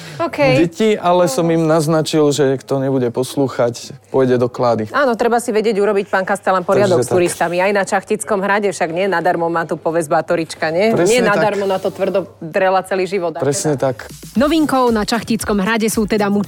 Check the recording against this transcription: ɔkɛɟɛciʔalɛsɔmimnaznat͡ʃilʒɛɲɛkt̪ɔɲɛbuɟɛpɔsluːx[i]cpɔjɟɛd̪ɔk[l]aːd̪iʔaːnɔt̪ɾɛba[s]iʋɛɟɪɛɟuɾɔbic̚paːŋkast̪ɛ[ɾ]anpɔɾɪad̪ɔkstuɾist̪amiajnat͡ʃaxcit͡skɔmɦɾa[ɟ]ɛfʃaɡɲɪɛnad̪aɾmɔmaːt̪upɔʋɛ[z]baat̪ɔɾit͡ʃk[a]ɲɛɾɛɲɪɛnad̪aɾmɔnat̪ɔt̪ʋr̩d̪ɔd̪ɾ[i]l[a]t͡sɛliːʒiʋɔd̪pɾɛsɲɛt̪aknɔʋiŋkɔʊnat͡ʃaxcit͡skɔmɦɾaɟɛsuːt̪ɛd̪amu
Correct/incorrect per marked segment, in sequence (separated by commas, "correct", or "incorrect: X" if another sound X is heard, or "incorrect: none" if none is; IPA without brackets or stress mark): incorrect: a, correct, correct, incorrect: l, correct, correct, correct, incorrect: ɛ, correct